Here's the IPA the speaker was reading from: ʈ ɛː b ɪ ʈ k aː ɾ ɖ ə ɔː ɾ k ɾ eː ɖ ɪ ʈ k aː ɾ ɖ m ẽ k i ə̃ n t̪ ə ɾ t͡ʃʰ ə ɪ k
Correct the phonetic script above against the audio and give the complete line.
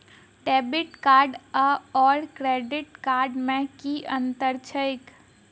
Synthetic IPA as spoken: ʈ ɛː b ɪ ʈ k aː ɾ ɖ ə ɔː ɾ k ɾ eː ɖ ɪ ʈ k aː ɾ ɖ m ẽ k i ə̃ n t̪ ə ɾ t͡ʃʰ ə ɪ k